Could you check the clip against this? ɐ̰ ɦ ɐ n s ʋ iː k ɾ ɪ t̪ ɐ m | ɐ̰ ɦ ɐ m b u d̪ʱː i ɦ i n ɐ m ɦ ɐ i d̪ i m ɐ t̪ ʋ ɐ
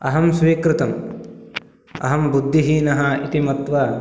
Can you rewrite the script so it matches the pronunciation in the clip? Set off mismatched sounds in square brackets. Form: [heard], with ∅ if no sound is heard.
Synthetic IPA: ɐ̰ ɦ ɐ [m] s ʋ iː k ɾ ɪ t̪ ɐ m | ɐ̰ ɦ ɐ m b u d̪ʱː i ɦ i n ɐ [∅] ɦ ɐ i [t̪] i m ɐ t̪ ʋ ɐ